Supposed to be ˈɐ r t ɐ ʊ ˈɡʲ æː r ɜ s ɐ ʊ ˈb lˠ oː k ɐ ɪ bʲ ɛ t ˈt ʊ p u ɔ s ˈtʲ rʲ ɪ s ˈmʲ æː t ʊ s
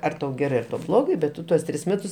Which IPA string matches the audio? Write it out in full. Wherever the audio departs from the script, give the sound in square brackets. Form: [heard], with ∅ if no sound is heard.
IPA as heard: ˈɐ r t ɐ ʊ ˈɡʲ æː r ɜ [t] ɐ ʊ ˈb lˠ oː [ɡ] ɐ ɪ bʲ ɛ t ˈt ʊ [t] u ɔ s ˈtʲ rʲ ɪ s ˈmʲ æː t ʊ s